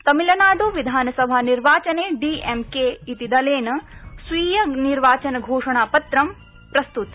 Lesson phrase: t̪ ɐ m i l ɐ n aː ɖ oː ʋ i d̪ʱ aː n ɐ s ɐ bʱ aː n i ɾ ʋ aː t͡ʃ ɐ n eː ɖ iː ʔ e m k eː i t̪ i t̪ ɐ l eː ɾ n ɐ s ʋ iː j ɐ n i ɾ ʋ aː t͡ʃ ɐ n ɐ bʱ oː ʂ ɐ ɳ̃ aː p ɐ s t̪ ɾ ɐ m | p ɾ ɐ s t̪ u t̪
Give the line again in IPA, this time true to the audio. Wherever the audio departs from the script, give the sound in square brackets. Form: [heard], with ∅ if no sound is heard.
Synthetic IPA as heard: t̪ ɐ m i l ɐ n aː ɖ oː ʋ i d̪ʱ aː n ɐ s ɐ bʱ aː n i ɾ ʋ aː t͡ʃ ɐ n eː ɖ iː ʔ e m k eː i t̪ i [d̪] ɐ l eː [∅] n ɐ s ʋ iː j ɐ n i ɾ ʋ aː t͡ʃ ɐ n ɐ [ɡʱ] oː ʂ ɐ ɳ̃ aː p ɐ [∅] t̪ ɾ ɐ m | p ɾ ɐ s t̪ u t̪